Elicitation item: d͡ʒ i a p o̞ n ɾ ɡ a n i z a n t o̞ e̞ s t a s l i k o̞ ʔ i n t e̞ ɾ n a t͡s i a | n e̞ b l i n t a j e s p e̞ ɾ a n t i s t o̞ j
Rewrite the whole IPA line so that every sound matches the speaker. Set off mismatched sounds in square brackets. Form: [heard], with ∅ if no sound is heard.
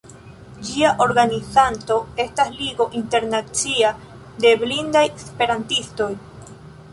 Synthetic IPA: d͡ʒ i a [ʔ] o̞ [∅] ɾ ɡ a n i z a n t o̞ e̞ s t a s l i [ɡ] o̞ ʔ i n t e̞ ɾ n a t͡s i a | [d] e̞ b l i n [d] a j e s p e̞ ɾ a n t i s t o̞ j